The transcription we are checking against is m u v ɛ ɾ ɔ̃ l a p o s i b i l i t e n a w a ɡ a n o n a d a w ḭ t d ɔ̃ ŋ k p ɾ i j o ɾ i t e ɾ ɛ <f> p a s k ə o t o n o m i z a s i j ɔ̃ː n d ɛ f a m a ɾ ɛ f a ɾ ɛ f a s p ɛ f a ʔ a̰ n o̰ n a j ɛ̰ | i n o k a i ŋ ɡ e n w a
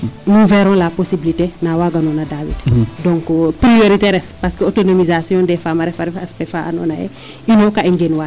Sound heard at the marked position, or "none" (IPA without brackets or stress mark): f